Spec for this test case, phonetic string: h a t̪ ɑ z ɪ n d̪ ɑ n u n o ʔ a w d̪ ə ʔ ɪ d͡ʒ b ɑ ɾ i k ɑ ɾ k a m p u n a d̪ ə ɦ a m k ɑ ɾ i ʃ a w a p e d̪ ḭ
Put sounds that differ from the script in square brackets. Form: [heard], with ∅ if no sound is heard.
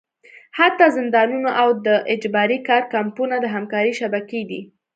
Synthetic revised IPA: h a t̪ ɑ z ɪ n d̪ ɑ n u n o ʔ a w d̪ ə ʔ ɪ d͡ʒ b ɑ ɾ i k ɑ ɾ k a m p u n a d̪ ə ɦ a m k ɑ ɾ i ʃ a [b] a [k] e d̪ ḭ